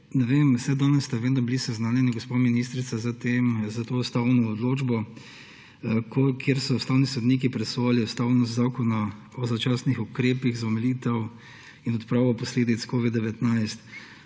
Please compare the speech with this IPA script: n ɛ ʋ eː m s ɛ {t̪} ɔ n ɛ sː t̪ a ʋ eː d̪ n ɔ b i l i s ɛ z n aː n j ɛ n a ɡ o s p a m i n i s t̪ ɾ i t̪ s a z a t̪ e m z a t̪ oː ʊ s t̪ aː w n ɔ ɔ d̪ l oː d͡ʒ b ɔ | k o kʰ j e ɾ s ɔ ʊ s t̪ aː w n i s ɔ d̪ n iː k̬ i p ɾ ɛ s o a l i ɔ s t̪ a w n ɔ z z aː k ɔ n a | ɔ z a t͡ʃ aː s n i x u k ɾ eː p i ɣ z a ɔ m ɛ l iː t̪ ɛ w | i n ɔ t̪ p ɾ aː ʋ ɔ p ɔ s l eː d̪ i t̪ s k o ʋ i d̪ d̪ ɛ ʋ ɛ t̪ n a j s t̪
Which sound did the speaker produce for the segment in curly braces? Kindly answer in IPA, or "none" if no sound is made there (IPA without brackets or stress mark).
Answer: d̪